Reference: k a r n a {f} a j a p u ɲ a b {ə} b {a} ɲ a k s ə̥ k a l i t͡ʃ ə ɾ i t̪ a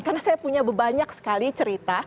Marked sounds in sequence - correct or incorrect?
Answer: incorrect, correct, correct

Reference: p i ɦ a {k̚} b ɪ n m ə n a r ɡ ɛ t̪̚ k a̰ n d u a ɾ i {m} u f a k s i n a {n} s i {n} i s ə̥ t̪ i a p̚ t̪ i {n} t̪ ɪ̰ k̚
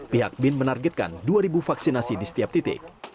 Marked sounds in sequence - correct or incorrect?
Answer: correct, incorrect, incorrect, incorrect, incorrect

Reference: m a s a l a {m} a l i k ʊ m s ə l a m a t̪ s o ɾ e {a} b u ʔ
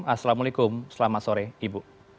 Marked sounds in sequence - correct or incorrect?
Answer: correct, incorrect

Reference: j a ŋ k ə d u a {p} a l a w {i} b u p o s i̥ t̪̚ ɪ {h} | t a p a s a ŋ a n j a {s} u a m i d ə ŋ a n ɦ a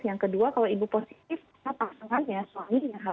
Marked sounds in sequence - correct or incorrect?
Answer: incorrect, correct, incorrect, correct

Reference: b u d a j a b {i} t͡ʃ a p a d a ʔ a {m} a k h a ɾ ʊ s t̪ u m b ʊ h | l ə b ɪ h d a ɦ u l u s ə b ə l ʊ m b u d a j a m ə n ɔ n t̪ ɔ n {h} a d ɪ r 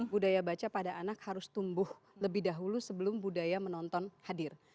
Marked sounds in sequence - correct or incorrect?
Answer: incorrect, incorrect, correct

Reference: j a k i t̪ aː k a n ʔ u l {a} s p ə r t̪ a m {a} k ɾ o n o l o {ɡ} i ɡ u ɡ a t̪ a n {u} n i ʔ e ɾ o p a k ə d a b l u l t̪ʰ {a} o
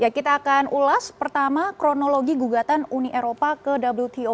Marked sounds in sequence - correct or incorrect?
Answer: correct, correct, correct, correct, incorrect

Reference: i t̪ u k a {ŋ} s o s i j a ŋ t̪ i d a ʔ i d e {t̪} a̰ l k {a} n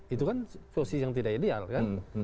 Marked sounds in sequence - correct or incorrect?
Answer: incorrect, incorrect, correct

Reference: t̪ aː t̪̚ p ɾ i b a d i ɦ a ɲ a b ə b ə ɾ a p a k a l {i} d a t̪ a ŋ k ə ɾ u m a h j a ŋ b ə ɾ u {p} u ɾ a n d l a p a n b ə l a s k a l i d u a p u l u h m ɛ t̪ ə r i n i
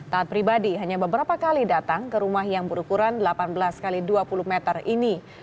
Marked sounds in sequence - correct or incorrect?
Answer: correct, incorrect

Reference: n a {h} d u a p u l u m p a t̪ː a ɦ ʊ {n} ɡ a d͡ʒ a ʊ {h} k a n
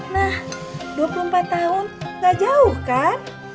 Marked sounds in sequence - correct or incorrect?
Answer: correct, correct, correct

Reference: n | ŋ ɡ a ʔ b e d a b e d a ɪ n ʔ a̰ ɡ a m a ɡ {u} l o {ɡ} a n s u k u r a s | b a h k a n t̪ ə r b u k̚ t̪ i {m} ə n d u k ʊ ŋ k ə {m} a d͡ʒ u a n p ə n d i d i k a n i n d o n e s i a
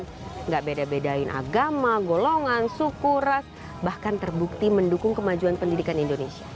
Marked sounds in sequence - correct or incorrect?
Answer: incorrect, incorrect, correct, correct

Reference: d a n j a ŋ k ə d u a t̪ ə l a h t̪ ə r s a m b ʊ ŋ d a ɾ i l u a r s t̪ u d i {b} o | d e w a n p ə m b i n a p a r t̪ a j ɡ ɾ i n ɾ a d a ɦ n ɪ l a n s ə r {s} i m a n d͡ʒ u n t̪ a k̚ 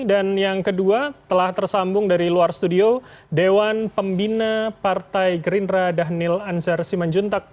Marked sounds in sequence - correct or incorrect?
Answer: incorrect, correct

